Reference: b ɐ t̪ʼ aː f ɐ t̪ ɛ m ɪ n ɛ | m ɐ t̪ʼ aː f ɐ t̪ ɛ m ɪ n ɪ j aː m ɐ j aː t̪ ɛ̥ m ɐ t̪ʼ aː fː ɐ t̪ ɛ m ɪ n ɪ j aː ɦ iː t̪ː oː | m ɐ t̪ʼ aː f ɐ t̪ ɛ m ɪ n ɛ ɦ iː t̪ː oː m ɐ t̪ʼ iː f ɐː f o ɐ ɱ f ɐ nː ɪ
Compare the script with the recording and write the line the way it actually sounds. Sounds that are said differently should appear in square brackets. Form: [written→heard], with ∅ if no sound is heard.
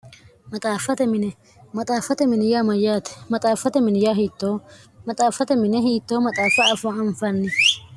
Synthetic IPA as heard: [b→m] ɐ t̪ʼ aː f ɐ t̪ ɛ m ɪ n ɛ | m ɐ t̪ʼ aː f ɐ t̪ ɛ m ɪ n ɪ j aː m ɐ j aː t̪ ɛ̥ m ɐ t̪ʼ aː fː ɐ t̪ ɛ m ɪ n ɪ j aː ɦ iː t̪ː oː | m ɐ t̪ʼ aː f ɐ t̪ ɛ m ɪ n ɛ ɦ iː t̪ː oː m ɐ t̪ʼ [iː→aː] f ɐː f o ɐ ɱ f ɐ nː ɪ